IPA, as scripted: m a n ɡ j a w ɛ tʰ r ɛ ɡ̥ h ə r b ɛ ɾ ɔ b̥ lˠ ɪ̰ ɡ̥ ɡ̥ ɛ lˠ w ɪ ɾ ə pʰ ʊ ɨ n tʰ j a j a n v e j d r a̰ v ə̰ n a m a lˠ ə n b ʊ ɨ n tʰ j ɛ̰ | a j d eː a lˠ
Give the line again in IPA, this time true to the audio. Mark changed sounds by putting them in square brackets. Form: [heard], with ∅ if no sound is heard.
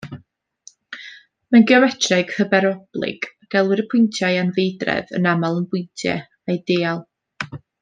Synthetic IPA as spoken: m a n ɡ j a w ɛ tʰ r ɛ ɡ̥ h ə [∅] b ɛ ɾ ɔ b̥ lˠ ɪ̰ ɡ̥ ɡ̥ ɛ lˠ w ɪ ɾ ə pʰ ʊ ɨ n tʰ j a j a n v e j d r [ɛ̰] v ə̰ n a m a lˠ ə n b ʊ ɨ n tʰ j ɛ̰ | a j d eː a lˠ

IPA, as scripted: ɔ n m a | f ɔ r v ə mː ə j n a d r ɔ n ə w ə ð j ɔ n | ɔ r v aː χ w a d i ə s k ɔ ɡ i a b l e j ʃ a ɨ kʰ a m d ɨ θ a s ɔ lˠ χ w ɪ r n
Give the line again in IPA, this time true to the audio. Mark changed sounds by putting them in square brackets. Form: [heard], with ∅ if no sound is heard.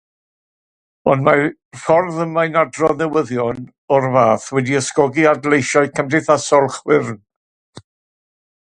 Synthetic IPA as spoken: ɔ n m a | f ɔ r [ð] ə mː [a] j n a d r ɔ n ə w ə ð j ɔ n | ɔ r v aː [θ] w [ɛ] d i ə s k ɔ ɡ i a [d] l e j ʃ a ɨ kʰ [ə] m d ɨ θ a s ɔ lˠ χ w ɪ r n

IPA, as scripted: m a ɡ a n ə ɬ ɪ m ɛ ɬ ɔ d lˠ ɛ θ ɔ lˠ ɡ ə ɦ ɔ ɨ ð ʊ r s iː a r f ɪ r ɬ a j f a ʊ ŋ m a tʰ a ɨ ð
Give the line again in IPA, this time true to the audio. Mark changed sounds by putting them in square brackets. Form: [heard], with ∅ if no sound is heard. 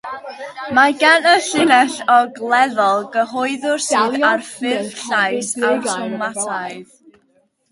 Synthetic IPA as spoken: m a ɡ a n ə ɬ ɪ [n] ɛ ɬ ɔ [ɡ] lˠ ɛ [ð] ɔ lˠ ɡ ə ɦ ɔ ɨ ð ʊ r s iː a r f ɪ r ɬ a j [s] a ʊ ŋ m a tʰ a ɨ ð

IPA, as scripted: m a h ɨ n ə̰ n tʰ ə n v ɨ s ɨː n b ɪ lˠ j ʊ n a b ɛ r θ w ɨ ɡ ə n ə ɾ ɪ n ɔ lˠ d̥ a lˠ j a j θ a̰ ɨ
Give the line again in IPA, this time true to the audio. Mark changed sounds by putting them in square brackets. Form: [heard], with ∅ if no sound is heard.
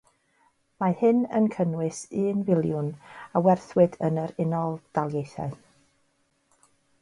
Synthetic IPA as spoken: m a h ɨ n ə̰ n [kʰ] ə n [w] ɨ s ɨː n [v] ɪ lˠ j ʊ n a [w] ɛ r θ w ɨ [d] ə n ə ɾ ɪ n ɔ lˠ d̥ a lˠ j [e] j θ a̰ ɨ

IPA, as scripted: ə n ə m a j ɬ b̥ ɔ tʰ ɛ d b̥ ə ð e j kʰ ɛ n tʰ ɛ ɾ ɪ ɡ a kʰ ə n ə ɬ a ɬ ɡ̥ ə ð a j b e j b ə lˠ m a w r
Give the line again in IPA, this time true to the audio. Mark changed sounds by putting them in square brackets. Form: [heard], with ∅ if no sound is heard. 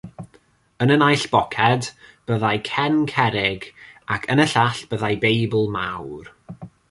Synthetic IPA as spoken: ə n ə [n] a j ɬ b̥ ɔ [kʰ] ɛ d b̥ ə ð [a] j kʰ ɛ n [kʰ] ɛ ɾ ɪ ɡ a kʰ ə n ə ɬ a ɬ [b̥] ə ð a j b e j b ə lˠ m a w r

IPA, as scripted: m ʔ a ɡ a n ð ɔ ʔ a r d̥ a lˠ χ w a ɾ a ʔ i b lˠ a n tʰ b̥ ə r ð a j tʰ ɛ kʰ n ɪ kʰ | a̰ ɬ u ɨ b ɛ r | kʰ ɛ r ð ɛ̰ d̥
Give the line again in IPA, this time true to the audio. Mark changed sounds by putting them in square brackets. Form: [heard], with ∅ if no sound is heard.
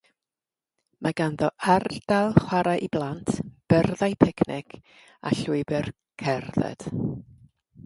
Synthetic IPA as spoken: m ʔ a ɡ a n ð ɔ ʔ a r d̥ a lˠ χ w a ɾ a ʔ i b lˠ a n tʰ b̥ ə r ð a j [pʰ] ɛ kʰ n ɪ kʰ | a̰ ɬ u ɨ b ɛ r | kʰ ɛ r ð ɛ̰ d̥

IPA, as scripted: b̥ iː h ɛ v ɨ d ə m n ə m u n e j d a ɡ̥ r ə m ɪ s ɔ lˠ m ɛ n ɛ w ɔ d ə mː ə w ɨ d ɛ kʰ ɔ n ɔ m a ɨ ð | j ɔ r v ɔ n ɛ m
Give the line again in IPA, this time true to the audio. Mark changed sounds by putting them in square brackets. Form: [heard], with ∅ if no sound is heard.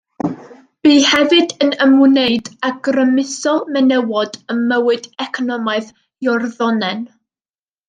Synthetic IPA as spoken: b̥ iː h ɛ v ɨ d ə [∅] n ə m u n e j d a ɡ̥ r ə m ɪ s ɔ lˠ m ɛ n ɛ w ɔ d ə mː ə w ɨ d ɛ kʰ ɔ n ɔ m a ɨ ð | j ɔ r [ð] ɔ n ɛ [n]

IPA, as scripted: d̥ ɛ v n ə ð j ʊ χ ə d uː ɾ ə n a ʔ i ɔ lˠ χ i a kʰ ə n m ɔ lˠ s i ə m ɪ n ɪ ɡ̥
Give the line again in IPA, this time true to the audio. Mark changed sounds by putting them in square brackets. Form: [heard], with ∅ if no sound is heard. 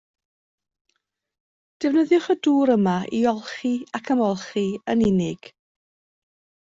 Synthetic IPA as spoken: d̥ ɛ v n ə ð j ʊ χ ə d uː ɾ ə [m] a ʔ i ɔ lˠ χ i a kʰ ə [∅] m ɔ lˠ [χ] i ə [n] ɪ n ɪ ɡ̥

